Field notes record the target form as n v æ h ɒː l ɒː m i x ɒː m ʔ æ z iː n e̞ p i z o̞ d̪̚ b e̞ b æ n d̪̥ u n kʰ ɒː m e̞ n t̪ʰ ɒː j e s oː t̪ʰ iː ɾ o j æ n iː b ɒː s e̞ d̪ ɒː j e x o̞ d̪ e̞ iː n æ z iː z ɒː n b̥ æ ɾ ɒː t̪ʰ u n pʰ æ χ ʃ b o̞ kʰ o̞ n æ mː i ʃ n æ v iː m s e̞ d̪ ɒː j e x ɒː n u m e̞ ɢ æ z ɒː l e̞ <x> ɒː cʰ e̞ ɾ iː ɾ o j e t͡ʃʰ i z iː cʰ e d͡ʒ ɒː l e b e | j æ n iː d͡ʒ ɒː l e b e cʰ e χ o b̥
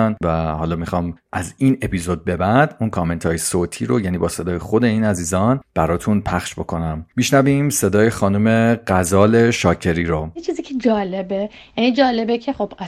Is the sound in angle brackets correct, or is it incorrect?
incorrect